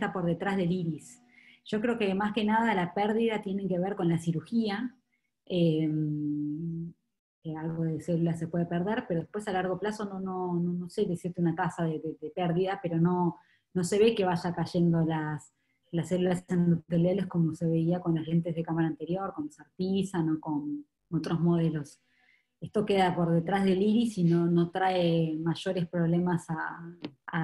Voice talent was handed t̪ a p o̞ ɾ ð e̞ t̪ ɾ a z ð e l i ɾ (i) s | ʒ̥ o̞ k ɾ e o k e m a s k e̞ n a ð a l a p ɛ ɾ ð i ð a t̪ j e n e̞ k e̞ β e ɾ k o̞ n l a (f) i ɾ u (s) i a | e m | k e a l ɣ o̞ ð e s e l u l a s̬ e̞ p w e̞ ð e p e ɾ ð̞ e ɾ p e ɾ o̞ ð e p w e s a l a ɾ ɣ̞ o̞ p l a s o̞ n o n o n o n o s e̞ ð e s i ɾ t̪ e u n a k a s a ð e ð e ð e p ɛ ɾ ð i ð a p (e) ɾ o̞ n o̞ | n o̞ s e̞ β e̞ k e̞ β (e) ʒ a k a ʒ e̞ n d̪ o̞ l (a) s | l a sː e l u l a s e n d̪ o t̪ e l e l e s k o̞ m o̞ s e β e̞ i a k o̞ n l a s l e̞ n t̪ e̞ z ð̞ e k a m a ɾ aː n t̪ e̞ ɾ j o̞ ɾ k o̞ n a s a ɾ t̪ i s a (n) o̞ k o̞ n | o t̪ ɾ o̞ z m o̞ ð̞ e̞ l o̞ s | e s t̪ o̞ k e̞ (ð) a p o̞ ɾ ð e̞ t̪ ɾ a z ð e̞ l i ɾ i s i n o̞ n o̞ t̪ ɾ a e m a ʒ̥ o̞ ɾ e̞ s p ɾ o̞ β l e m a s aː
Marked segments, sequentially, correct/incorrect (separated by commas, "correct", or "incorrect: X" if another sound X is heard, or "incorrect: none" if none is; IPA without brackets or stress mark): correct, incorrect: s, incorrect: x, correct, incorrect: a, correct, correct, correct